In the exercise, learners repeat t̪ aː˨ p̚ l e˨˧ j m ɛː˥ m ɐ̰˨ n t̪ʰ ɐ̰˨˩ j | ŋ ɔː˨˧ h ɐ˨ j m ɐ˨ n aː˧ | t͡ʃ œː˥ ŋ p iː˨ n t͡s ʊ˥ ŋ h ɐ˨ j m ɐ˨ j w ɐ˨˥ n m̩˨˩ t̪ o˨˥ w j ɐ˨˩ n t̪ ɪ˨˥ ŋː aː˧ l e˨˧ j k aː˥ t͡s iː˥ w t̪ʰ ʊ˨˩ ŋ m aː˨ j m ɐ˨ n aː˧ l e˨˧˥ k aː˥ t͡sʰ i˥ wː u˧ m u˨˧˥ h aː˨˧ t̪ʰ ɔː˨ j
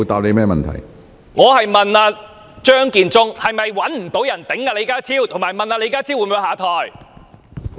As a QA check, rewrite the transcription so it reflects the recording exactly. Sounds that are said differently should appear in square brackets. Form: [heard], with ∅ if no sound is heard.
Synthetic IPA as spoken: t̪ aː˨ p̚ l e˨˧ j m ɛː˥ m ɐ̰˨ n t̪ʰ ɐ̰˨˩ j | ŋ ɔː˨˧ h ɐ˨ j m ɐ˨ n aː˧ | t͡ʃ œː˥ ŋ [k] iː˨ n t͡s ʊ˥ ŋ h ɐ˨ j m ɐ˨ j w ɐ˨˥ n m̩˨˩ t̪ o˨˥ w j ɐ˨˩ n t̪ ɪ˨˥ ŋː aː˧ l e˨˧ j k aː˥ [t͡sʰ] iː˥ w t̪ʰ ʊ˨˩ ŋ m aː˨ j m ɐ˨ n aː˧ l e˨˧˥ k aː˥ t͡sʰ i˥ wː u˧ m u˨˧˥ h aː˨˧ t̪ʰ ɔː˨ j